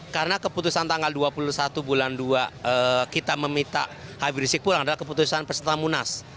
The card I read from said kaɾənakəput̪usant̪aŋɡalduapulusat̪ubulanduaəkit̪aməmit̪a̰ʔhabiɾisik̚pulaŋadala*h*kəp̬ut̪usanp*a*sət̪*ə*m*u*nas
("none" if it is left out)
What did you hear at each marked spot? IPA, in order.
h, ə, a, u

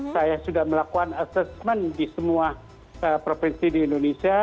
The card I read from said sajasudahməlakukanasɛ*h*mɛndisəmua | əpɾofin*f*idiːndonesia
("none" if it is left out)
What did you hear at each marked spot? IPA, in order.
s, s

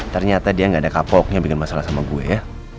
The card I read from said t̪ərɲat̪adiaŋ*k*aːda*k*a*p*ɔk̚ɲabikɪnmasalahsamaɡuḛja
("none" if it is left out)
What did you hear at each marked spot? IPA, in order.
ɡ, k, p

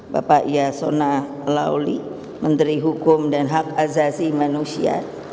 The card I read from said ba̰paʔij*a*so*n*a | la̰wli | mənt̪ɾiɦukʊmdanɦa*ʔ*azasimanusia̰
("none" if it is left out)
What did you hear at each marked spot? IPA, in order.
a, n, k

